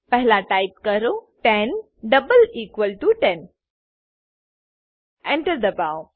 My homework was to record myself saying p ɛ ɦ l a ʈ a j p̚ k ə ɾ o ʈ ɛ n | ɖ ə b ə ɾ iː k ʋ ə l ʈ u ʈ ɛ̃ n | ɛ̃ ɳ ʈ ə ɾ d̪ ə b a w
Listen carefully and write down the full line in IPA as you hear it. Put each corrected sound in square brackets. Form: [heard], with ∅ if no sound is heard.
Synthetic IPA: p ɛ ɦ l a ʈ a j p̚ k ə ɾ o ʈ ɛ n | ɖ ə b ə [l] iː k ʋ ə l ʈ u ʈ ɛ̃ n | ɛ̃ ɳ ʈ ə ɾ d̪ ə b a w